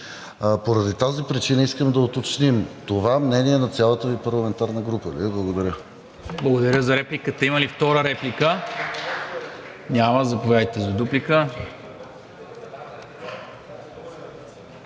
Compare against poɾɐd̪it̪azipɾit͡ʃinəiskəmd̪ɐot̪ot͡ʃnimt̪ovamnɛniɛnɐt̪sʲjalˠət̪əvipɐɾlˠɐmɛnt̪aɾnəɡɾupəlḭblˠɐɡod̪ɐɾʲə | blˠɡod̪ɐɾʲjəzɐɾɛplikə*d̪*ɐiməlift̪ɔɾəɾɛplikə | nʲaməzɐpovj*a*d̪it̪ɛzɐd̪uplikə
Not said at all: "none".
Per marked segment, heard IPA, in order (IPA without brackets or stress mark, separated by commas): t̪, a